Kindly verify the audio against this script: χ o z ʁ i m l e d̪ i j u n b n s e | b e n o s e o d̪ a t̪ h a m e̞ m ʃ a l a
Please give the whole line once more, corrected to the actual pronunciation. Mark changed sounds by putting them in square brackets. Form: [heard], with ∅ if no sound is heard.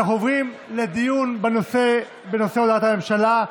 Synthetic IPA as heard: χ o [v] ʁ i m l e d̪ i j u n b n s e | b e n o s e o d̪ a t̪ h a m e̞ m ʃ a l a